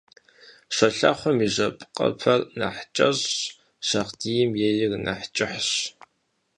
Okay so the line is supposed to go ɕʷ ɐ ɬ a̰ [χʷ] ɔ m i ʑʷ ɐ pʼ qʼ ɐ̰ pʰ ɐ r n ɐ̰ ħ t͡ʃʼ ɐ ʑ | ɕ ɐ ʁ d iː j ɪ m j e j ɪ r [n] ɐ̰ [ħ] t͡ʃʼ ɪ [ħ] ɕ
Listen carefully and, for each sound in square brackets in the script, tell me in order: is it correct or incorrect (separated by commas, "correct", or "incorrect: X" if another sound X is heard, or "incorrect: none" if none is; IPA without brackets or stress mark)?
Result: correct, correct, correct, correct